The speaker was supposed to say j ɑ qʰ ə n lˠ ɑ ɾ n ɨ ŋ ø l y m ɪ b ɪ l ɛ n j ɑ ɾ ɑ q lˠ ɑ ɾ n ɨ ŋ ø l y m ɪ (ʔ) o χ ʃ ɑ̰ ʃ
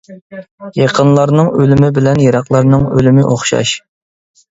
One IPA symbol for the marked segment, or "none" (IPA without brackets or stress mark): ʔ